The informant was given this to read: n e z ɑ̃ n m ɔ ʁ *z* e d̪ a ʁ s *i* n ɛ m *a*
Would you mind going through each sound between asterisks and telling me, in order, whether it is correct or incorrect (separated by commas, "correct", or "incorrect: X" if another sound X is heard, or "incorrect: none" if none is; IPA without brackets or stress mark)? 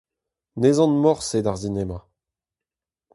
incorrect: s, correct, correct